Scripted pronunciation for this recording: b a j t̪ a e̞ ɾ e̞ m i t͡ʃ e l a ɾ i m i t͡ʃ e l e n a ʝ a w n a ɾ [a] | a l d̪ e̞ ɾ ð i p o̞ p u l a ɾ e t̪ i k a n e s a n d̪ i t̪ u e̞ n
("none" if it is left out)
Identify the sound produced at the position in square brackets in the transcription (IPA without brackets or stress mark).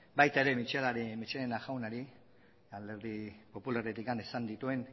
i